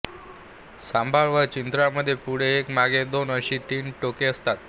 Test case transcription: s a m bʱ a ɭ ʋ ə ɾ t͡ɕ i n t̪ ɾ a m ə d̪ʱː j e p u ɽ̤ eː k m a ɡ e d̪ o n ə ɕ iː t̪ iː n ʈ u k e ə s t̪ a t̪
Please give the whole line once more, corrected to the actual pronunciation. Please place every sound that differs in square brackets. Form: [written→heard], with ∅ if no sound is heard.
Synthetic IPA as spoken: s a m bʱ a ɭ ʋ ə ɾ t͡ɕ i n t̪ ɾ a m ə d̪ʱː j e p u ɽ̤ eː k m a ɡ e d̪ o n ə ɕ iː t̪ iː n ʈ [u→o] k e ə s t̪ a t̪